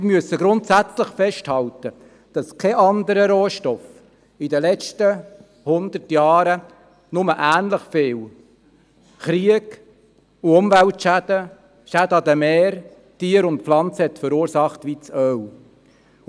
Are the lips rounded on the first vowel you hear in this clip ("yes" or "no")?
yes